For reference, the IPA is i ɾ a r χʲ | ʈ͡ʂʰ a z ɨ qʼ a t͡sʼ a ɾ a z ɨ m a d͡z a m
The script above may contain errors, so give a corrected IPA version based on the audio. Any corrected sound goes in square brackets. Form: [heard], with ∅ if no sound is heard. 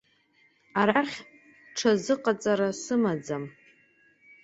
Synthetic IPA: [a] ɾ a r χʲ | ʈ͡ʂʰ a z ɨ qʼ a t͡sʼ a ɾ a [s] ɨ m a d͡z a m